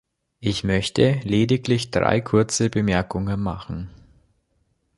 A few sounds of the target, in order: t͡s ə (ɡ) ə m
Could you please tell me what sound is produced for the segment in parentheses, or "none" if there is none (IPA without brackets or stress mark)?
b